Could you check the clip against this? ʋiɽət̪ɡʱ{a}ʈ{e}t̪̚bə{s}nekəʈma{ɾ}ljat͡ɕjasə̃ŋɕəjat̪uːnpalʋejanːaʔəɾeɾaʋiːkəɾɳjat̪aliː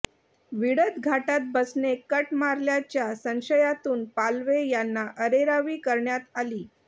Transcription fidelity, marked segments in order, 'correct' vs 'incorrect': correct, incorrect: a, correct, correct

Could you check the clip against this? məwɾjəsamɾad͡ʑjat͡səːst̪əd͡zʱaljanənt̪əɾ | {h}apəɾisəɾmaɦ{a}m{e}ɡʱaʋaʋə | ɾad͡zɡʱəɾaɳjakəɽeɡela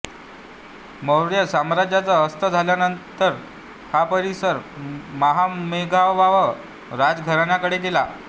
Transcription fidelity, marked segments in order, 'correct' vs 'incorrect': correct, correct, correct

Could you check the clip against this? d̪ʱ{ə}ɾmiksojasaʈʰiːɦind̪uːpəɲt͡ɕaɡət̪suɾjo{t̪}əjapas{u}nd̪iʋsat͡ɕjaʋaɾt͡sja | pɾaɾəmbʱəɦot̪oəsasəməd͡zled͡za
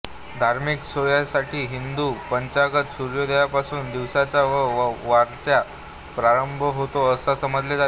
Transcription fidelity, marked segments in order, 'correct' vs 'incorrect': incorrect: a, incorrect: d̪, incorrect: uː

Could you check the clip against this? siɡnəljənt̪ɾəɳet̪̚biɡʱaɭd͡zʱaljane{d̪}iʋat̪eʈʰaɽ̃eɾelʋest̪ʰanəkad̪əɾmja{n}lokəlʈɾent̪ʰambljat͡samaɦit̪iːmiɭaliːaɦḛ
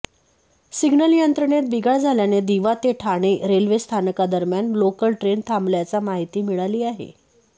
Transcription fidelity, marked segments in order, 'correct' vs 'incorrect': correct, correct

